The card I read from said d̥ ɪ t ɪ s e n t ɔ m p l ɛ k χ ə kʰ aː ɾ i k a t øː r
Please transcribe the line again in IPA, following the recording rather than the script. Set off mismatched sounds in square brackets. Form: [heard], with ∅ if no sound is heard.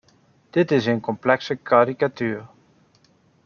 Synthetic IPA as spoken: d̥ ɪ t ɪ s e n [k] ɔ m p l ɛ k [s] ə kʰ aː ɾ i k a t [yː] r